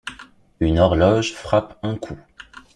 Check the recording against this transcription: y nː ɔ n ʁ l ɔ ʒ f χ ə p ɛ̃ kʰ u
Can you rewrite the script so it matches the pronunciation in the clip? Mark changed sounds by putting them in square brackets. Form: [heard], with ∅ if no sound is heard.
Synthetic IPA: y [n] ɔ [∅] ʁ l ɔ ʒ f χ [a] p ɛ̃ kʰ u